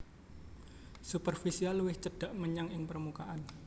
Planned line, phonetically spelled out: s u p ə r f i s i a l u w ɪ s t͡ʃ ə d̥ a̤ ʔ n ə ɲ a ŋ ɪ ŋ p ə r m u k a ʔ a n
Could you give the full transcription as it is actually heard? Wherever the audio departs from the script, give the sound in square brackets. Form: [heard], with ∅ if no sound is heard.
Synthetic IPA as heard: s u p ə r f i s i a l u w ɪ [h] t͡ʃ ə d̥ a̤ ʔ [m] ə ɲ a ŋ ɪ ŋ p ə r m u k a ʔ a n

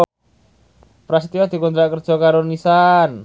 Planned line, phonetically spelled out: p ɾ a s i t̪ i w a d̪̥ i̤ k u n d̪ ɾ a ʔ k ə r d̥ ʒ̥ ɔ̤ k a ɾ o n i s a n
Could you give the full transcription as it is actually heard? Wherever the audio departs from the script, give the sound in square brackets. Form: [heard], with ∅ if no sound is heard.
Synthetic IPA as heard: p ɾ a s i t̪ i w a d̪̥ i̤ k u n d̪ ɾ a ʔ k ə r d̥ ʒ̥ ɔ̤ k a ɾ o n i s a n

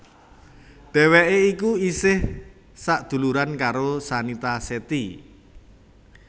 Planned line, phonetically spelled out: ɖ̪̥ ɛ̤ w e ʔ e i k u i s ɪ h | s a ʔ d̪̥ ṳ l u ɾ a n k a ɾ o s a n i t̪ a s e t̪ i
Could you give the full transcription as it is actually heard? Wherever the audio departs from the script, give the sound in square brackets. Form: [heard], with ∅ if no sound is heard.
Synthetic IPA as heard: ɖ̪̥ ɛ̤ w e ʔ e i k u i s ɪ h | s a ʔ d̪̥ ṳ l u ɾ a n k a ɾ o s a n i t̪ a s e t̪ i

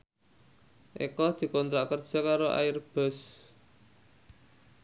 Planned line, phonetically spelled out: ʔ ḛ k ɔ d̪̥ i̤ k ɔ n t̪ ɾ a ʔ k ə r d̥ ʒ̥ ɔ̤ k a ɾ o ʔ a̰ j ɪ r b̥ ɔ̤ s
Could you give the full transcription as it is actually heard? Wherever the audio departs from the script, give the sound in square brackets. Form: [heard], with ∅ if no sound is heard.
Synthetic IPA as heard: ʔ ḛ k ɔ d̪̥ i̤ k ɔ n t̪ ɾ a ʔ k ə r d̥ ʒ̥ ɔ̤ k a ɾ o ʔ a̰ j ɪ r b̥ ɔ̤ s

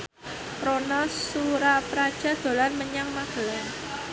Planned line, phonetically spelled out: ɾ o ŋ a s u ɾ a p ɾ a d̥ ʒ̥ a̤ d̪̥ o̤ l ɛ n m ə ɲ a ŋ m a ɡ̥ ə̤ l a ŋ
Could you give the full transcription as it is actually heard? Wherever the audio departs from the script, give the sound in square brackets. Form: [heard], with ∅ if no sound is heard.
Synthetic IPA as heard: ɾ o [n] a s u ɾ a p ɾ a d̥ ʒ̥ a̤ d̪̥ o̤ l [a] n m ə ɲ a ŋ m a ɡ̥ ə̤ l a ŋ

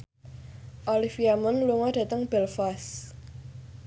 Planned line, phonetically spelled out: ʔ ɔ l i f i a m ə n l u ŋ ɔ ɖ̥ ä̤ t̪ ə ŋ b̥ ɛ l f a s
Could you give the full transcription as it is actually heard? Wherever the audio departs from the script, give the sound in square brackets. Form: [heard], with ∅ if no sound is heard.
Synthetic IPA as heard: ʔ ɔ l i f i a m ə n l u ŋ ɔ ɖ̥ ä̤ t̪ ə ŋ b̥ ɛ l f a s

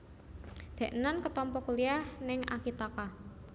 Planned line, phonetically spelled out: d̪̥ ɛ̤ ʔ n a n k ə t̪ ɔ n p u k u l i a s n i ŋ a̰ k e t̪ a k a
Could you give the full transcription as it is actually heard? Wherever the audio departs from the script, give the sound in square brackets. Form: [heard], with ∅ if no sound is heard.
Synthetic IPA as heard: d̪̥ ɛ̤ ʔ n a n k ə t̪ ɔ [m] p [ɔ] k u l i a [h] n [ɪ] ŋ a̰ k [i] t̪ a k a

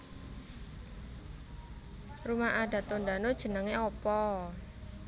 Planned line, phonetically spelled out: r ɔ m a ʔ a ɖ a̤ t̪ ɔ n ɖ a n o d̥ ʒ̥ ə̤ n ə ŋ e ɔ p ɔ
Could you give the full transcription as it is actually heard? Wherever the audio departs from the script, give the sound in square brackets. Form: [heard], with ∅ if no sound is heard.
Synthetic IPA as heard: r [u] m a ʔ a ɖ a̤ t̪ [o] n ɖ a n o d̥ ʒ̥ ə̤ n ə ŋ e ɔ p ɔ

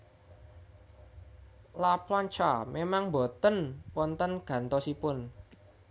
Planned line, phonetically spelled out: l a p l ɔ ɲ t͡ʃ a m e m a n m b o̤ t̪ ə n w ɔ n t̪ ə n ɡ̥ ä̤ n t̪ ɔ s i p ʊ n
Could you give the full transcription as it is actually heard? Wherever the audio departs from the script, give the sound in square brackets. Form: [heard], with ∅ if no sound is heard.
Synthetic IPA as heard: l a p l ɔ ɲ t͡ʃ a m e m a [ŋ] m b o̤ t̪ ə n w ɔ n t̪ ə n ɡ̥ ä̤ n t̪ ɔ s i p ʊ n

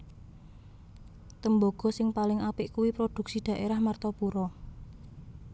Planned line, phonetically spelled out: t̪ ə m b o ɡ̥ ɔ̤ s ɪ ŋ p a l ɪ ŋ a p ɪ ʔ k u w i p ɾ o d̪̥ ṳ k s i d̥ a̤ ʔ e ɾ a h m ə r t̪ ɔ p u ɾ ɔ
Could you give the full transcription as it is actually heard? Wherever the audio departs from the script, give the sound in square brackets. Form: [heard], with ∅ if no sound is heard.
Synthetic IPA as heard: t̪ ə m b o ɡ̥ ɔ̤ s ɪ ŋ p a l ɪ ŋ a p ɪ ʔ k u w i p ɾ o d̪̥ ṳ k s i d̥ a̤ ʔ e ɾ a h m [a] r t̪ ɔ p u ɾ ɔ

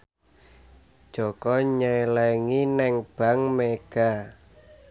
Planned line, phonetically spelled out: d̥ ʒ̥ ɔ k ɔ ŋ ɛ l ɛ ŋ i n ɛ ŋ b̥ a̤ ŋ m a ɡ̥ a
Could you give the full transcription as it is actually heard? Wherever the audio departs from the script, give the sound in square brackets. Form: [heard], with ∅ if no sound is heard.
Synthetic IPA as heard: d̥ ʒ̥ ɔ k ɔ [ɲ] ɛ l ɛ ŋ i n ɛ ŋ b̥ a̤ ŋ m [e] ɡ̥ a

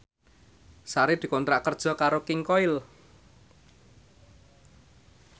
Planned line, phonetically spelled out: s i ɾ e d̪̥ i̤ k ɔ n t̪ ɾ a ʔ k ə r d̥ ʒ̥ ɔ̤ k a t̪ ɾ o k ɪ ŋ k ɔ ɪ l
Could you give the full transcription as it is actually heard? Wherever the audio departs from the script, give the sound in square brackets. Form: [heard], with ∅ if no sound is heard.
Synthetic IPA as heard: s [a] ɾ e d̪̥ i̤ k ɔ n t̪ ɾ a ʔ k ə r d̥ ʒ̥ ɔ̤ k a [∅] ɾ o k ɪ ŋ k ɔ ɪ l

